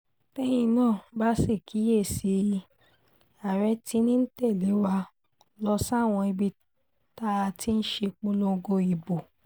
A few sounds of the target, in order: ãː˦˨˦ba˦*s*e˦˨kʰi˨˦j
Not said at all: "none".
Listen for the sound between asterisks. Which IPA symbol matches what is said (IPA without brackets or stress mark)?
s